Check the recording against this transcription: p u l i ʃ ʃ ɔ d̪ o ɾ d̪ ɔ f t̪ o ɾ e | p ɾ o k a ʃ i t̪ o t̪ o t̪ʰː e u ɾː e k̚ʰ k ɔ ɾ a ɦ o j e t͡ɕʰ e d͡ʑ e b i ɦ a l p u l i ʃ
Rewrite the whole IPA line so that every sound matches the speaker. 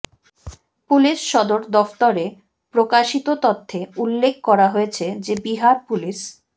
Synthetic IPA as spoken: p u l i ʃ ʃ ɔ d̪ o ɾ d̪ ɔ f t̪ o ɾ e | p ɾ o k a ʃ i t̪ o t̪ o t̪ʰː e u lː e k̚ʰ k ɔ ɾ a ɦ o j e t͡ɕʰ e d͡ʑ e b i ɦ a ɾ p u l i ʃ